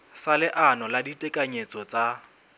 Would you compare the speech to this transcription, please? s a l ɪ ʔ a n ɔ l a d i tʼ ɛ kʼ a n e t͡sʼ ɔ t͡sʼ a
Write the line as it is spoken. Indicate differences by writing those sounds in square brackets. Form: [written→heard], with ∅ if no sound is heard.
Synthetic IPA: s a l ɪ ʔ a n ɔ l a d i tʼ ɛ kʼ a [n→ɲ] e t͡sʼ ɔ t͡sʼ a